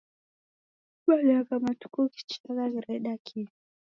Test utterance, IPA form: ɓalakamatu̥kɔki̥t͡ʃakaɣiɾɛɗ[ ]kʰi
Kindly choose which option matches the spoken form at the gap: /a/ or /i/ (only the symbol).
a